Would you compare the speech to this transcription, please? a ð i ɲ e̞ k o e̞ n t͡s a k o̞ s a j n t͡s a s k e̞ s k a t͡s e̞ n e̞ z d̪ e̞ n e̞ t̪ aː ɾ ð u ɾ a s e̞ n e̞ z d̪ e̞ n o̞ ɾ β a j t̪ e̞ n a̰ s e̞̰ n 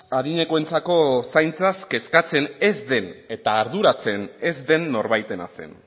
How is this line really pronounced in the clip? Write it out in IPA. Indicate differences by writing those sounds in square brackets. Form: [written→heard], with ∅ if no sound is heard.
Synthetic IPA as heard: a ð i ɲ e̞ k o e̞ n t͡s a k o̞ s a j n t͡s a s k e̞ s k a t͡s e̞ n e̞ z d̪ e̞ n e̞ t̪ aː ɾ ð u ɾ a [s→t͡s] e̞ n e̞ z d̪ e̞ [n→nː] o̞ ɾ β a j t̪ e̞ n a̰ s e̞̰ n